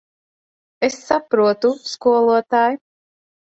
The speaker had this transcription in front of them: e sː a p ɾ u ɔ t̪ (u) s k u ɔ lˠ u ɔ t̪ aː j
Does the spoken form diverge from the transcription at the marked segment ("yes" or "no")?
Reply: no